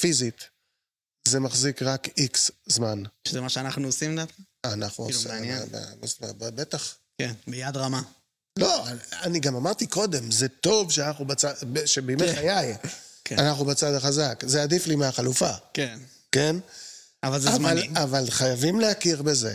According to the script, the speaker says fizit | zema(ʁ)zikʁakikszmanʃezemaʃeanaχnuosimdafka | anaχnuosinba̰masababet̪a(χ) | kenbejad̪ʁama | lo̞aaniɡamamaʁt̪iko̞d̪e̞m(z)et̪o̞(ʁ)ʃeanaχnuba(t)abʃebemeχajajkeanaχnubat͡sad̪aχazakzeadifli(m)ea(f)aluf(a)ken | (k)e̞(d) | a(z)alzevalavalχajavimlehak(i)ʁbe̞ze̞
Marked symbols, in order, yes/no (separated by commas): no, yes, yes, no, no, yes, no, yes, yes, no, no, yes